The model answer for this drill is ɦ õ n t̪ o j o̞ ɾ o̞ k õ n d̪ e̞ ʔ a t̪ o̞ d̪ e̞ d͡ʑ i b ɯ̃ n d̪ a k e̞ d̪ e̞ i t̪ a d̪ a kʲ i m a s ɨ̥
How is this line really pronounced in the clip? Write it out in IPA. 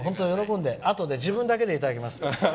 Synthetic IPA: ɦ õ n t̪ o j o̞ ɾ o̞ k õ n d̪ e̞ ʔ a t̪ o̞ d̪ e̞ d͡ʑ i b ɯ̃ n d̪ a k e̞ d̪ e̞ i t̪ a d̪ a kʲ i m a s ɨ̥

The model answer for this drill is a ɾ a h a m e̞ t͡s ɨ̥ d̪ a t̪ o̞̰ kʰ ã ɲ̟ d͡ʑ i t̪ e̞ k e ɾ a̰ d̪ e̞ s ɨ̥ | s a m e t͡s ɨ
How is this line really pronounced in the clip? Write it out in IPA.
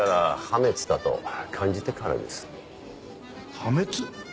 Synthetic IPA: a ɾ a h a m e̞ t͡s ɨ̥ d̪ a t̪ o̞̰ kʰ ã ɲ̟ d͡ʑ i t̪ e̞ k a ɾ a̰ d̪ e̞ s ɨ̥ | h a m e t͡s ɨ

